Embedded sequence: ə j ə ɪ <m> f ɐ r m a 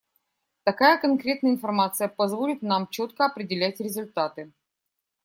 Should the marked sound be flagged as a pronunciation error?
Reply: yes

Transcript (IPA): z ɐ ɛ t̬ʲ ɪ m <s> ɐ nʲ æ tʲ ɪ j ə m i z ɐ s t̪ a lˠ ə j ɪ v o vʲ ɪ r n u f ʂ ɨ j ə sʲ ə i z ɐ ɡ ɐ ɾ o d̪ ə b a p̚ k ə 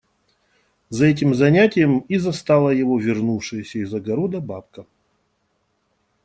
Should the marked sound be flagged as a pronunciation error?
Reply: yes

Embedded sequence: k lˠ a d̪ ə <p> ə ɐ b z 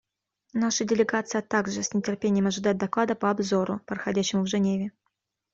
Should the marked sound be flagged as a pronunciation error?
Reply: no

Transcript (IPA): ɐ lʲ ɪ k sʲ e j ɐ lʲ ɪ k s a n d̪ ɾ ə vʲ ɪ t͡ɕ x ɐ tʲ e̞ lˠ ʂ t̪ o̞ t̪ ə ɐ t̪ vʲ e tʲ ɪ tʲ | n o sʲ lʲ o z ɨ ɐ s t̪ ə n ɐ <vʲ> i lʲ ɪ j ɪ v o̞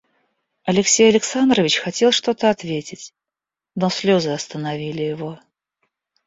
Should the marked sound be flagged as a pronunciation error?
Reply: no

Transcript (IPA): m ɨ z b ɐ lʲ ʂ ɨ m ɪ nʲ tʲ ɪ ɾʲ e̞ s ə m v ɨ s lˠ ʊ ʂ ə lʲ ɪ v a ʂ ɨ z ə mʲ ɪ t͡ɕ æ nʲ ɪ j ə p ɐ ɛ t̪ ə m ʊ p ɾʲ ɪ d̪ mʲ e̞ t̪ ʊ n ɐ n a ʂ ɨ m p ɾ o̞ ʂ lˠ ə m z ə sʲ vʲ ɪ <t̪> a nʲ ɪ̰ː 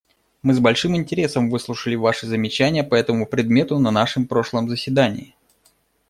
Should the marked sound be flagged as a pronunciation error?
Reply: yes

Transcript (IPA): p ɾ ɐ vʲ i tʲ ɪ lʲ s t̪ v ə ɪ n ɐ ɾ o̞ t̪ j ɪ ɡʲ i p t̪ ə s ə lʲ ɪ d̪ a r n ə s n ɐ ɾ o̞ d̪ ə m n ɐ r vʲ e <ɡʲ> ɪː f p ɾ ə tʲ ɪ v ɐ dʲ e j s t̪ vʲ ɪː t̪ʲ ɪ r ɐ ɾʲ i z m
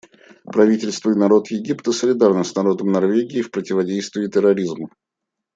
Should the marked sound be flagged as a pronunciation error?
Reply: no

